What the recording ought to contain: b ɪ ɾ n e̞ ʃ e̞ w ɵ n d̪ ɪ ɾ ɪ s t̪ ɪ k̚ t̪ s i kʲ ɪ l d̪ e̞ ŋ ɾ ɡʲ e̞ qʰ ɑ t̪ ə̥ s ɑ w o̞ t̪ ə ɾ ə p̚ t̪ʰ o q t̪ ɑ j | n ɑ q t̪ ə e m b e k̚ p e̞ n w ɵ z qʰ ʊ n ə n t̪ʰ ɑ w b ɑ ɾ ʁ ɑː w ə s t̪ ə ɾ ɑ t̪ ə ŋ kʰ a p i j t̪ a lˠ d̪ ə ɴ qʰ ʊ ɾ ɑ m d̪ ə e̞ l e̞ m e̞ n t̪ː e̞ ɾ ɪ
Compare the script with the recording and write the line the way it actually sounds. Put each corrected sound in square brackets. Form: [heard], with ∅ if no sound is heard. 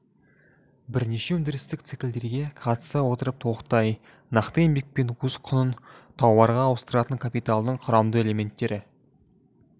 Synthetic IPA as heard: b ɪ ɾ n e̞ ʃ e̞ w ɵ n d̪ ɪ ɾ ɪ s t̪ ɪ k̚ t̪ s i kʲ ɪ l d̪ e̞ [∅] ɾ ɡʲ e̞ qʰ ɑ t̪ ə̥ s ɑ w o̞ t̪ ə ɾ ə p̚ t̪ʰ o q t̪ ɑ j | n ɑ q t̪ ə e m b e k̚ p e̞ n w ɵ z qʰ ʊ n ə n t̪ʰ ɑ w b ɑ ɾ ʁ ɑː w ə s t̪ ə ɾ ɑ t̪ ə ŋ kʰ a p i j t̪ a lˠ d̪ ə ɴ qʰ ʊ ɾ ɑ m d̪ ə e̞ l e̞ m e̞ n t̪ː e̞ ɾ ɪ